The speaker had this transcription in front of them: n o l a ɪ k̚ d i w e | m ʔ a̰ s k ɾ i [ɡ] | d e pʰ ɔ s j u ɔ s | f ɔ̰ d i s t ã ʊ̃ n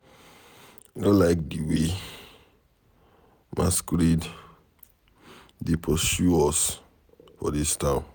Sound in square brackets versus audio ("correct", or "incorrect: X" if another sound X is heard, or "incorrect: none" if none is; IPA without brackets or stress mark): incorrect: d